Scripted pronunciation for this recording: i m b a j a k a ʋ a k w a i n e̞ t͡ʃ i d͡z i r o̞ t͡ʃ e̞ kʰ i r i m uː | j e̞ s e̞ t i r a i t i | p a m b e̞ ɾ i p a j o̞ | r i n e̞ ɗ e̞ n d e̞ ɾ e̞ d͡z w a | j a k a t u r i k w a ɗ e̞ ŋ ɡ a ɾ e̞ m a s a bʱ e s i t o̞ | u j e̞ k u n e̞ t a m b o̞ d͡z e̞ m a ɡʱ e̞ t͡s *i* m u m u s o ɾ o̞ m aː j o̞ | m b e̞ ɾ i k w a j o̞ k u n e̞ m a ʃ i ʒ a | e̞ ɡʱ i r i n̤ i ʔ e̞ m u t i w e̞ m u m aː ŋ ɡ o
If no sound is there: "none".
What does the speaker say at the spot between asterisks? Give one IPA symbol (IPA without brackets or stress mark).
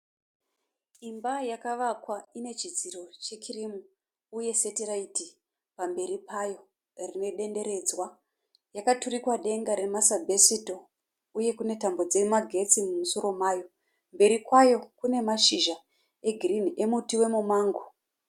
i